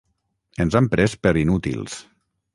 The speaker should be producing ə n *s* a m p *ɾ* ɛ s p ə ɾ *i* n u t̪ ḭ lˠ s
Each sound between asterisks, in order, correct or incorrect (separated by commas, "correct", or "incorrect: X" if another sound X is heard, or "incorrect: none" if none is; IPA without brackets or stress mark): incorrect: z, correct, correct